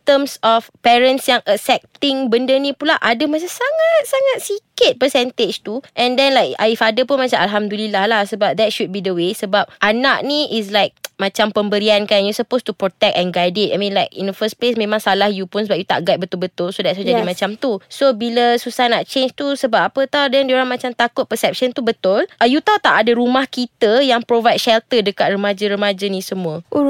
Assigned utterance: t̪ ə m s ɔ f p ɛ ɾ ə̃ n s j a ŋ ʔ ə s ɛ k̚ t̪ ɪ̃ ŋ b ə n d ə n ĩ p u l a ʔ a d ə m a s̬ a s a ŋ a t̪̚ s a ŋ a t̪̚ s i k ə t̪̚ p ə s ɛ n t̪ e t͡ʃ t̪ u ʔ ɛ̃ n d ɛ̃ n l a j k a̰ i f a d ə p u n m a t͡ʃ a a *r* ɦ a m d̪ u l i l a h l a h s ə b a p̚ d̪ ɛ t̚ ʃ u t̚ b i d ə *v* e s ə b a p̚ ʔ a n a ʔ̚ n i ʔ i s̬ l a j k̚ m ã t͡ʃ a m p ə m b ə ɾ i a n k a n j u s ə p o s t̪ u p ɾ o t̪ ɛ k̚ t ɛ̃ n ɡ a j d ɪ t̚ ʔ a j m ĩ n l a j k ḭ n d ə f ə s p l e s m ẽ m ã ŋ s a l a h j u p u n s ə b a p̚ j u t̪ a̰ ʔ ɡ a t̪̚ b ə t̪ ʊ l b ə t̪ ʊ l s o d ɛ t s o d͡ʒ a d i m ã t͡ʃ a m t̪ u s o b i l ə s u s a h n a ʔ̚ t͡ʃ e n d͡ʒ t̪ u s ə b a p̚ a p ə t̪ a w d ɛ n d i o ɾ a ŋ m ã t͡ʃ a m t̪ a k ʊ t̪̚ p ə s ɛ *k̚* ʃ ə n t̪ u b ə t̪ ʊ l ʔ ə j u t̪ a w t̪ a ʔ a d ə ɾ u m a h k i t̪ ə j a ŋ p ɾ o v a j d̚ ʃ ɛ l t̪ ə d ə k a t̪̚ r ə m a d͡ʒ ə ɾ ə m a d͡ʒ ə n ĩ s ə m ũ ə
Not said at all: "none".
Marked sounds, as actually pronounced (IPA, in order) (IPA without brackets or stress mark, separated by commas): l, w, p̚